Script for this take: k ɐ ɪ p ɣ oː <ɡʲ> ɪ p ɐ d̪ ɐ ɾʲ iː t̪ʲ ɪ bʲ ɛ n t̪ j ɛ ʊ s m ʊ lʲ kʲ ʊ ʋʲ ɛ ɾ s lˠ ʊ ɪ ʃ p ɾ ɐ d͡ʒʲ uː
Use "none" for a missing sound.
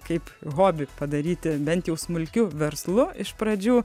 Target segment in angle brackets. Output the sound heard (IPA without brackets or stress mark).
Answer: bʲ